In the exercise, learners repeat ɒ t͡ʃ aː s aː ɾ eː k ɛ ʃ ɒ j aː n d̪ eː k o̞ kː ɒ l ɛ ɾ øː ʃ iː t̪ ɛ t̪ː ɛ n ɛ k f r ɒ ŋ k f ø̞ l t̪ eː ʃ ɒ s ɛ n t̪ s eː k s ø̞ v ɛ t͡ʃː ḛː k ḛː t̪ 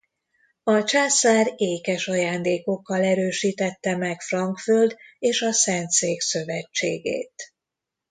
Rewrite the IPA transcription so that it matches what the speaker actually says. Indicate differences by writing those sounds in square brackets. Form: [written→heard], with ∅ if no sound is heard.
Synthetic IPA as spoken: ɒ t͡ʃ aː s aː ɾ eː k ɛ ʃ ɒ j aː n d̪ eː k o̞ kː ɒ l ɛ ɾ øː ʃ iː t̪ ɛ t̪ː ɛ [n→m] ɛ k f r ɒ ŋ k f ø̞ l [t̪→d̪] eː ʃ ɒ s ɛ n t̪ s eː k s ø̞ v ɛ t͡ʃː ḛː [k→ɡ] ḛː t̪